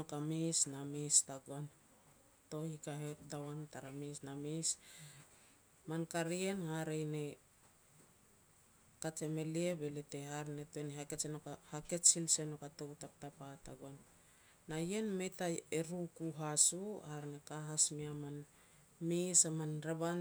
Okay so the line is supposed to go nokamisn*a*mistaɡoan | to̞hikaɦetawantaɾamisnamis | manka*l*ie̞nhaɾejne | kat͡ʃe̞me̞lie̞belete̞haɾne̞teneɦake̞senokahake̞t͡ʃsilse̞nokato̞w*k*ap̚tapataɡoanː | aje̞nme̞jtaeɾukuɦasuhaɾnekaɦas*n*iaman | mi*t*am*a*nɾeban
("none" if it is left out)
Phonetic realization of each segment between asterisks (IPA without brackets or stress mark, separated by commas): a, ɾ, t, m, s, a